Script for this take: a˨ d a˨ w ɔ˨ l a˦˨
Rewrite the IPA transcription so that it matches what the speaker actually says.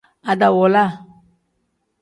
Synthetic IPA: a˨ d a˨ w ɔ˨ l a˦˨